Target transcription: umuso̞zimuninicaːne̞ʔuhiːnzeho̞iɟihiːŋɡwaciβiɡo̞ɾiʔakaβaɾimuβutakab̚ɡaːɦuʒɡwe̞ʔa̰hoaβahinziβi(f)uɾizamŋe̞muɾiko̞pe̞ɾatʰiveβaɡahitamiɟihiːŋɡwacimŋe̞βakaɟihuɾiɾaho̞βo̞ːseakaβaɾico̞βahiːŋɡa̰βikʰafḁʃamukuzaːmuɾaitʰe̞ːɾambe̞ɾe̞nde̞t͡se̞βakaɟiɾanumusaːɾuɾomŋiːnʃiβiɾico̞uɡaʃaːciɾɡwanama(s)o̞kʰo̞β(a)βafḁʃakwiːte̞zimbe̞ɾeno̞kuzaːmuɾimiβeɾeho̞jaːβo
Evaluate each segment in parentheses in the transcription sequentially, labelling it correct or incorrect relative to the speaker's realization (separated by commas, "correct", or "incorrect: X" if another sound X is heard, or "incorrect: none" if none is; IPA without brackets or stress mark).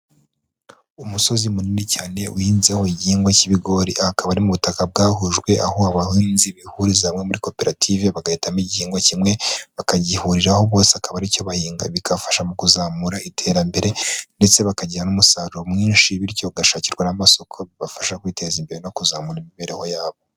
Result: incorrect: h, correct, incorrect: i